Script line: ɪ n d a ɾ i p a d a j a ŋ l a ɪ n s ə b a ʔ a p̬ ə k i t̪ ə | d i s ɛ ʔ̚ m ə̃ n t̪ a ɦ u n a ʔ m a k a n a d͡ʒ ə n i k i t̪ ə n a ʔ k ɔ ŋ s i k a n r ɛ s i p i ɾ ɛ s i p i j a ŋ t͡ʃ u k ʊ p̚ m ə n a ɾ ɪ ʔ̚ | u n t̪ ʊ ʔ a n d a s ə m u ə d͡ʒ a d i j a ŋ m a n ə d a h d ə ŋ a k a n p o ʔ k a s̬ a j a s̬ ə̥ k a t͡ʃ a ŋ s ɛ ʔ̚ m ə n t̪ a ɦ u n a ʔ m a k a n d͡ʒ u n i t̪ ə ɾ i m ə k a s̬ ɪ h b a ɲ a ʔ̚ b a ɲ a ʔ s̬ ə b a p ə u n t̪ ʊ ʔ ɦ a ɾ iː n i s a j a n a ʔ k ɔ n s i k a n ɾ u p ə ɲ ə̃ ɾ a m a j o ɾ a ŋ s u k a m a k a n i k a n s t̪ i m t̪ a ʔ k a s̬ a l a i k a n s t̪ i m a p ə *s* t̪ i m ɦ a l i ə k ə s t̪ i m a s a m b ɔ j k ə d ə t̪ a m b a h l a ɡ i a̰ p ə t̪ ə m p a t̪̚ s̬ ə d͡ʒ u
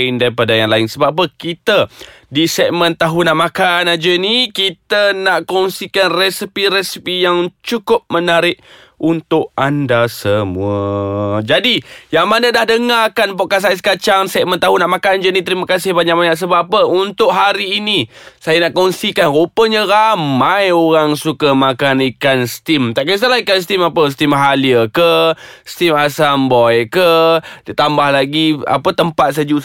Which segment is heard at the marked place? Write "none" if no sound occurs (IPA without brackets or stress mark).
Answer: s